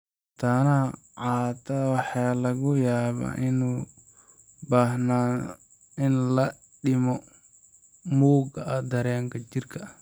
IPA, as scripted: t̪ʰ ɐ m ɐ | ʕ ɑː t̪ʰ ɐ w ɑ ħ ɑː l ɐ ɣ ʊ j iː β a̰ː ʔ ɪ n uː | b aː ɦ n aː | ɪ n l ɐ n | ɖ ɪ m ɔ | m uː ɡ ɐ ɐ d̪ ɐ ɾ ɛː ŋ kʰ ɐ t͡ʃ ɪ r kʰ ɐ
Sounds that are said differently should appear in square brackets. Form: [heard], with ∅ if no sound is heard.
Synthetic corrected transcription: t̪ʰ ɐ [n] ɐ | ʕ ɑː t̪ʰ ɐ w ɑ ħ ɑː l ɐ ɣ ʊ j [aː] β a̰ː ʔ ɪ n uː | b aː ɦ n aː | ɪ n l ɐ [∅] | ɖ ɪ m ɔ | m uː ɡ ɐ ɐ d̪ ɐ ɾ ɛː ŋ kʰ ɐ t͡ʃ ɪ r kʰ ɐ